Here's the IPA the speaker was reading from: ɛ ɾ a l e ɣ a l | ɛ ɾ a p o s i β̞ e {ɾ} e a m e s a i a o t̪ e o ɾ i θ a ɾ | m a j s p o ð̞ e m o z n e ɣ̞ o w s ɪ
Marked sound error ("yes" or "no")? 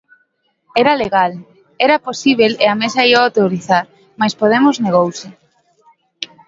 yes